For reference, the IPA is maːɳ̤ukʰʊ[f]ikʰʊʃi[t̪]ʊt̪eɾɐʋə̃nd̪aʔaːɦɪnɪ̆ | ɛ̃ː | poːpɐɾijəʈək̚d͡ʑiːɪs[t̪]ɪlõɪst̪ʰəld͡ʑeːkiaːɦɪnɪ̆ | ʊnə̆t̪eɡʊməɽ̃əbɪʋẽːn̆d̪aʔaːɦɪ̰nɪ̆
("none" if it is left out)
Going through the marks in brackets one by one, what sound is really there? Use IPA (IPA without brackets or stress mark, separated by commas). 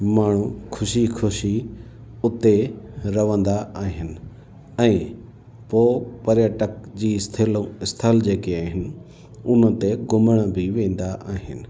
ʃ, none, t̪ʰ